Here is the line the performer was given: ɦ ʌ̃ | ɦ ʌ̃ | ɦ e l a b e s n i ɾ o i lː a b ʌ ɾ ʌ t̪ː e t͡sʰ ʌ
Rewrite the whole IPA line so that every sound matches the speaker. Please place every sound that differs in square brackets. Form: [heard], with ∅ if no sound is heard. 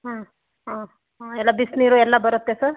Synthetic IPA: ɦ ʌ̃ | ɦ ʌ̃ | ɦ e l a b [i] s n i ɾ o [e] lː a b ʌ ɾ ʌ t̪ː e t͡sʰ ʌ